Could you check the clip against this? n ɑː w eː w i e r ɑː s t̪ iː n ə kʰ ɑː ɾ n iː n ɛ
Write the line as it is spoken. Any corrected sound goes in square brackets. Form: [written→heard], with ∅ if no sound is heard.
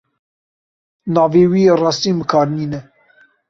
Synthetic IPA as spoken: n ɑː [w→v] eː w i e r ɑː s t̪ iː [n→m] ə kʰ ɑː ɾ n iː n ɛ